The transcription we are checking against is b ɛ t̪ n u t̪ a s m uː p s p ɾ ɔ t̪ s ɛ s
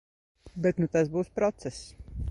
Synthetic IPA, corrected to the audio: b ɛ t̪ n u t̪ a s b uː s p ɾ ɔ t̪ s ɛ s